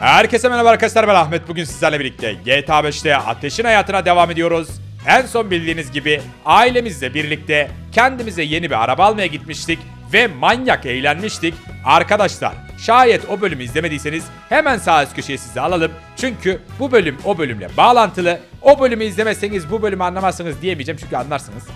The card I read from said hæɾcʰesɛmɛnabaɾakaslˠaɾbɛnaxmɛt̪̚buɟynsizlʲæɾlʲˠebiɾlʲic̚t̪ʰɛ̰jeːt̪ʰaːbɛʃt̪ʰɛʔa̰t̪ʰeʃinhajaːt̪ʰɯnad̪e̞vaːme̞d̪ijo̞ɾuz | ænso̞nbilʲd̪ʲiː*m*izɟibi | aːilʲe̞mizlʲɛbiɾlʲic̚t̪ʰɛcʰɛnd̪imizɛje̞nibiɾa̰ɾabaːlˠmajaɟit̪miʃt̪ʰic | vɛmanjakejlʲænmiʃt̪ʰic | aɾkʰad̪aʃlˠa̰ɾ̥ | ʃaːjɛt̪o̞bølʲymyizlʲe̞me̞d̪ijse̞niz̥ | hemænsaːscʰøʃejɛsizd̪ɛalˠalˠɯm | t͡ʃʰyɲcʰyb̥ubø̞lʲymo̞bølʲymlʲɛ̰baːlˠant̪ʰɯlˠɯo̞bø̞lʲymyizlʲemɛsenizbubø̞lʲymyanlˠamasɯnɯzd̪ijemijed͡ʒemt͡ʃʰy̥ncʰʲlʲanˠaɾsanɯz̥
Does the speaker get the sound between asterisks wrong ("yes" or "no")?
yes